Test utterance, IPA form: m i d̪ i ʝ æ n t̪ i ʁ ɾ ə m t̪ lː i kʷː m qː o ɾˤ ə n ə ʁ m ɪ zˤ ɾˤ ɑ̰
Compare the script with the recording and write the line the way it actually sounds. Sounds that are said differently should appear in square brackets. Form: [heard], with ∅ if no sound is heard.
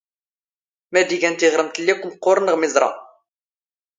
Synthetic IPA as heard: m [æ] d̪ i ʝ æ n t̪ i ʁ ɾ ə m t̪ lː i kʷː m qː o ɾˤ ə n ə ʁ m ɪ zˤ ɾˤ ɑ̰